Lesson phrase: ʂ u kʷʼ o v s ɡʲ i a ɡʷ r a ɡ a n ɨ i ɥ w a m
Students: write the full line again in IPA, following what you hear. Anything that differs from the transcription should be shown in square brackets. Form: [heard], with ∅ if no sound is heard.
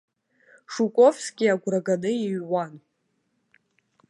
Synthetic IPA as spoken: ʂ u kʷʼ o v s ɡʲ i a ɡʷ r a ɡ a n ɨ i ɥ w a [n]